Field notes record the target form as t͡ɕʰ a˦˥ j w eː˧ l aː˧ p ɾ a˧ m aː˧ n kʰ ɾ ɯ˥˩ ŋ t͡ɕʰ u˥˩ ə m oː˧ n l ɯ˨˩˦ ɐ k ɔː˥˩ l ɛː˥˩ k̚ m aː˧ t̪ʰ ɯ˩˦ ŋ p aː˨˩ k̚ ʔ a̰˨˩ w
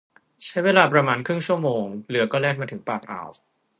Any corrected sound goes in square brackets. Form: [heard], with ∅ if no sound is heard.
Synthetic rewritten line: t͡ɕʰ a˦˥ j w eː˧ l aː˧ p ɾ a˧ m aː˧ n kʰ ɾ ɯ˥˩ ŋ t͡ɕʰ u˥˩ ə m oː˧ [ŋ] l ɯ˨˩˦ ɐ k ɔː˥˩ l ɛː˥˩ k̚ m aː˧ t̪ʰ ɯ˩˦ ŋ p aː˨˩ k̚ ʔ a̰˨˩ w

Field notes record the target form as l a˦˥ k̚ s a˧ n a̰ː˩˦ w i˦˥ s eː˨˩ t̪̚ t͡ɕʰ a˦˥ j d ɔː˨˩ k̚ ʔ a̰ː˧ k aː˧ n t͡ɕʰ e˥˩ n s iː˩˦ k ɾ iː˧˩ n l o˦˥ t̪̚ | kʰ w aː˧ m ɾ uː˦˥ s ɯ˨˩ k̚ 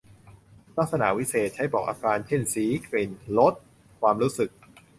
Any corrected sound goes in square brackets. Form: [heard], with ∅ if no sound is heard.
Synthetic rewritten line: l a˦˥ k̚ s a˧ n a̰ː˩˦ w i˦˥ s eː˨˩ t̪̚ t͡ɕʰ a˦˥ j [b] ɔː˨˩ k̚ ʔ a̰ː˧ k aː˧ n t͡ɕʰ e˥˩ n s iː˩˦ k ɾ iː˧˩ n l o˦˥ t̪̚ | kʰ w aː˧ m ɾ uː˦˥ s ɯ˨˩ k̚

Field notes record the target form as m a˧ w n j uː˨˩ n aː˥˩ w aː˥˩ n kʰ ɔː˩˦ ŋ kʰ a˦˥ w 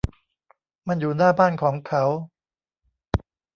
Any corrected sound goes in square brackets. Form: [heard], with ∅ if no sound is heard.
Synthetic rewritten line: m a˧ [∅] n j uː˨˩ n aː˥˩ [b] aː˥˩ n kʰ ɔː˩˦ ŋ kʰ a˦˥ w

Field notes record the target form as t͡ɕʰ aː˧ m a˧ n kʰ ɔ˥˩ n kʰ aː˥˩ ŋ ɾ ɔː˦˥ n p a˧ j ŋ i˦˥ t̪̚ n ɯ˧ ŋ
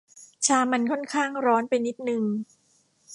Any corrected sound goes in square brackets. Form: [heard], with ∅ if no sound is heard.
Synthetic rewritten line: t͡ɕʰ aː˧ m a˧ n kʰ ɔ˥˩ n kʰ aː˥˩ ŋ ɾ ɔː˦˥ n p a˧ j [n] i˦˥ t̪̚ n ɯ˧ ŋ

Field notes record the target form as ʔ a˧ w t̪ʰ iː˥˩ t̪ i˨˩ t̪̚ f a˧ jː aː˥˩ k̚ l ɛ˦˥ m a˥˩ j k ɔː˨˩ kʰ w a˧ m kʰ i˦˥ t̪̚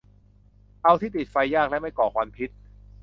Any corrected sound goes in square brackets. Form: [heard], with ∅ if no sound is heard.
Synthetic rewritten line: ʔ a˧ w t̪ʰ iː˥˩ t̪ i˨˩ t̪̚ f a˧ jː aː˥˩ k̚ l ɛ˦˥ m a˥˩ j k ɔː˨˩ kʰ w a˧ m [pʰ] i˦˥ t̪̚

